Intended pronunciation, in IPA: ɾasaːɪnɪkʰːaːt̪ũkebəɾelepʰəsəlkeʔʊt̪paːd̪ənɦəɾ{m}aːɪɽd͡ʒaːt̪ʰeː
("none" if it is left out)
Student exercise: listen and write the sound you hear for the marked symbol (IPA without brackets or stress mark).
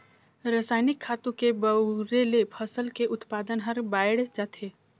b